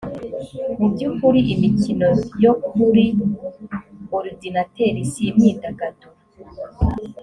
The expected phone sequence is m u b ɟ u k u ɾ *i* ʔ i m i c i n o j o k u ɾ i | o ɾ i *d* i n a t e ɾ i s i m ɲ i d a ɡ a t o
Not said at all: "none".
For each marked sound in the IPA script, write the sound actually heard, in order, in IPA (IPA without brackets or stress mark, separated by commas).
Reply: i, d